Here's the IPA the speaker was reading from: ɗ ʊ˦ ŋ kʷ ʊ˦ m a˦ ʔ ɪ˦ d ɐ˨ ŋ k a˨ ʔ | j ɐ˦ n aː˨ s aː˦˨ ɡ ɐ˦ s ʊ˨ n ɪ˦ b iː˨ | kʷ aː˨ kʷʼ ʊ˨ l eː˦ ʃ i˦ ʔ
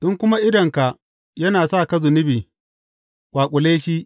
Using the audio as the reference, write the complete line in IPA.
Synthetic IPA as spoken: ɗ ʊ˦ ŋ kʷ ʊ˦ m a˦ ʔ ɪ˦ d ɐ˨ ŋ k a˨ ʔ | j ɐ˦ n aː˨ s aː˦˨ k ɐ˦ z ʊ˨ n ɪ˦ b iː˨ | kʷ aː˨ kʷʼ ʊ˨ l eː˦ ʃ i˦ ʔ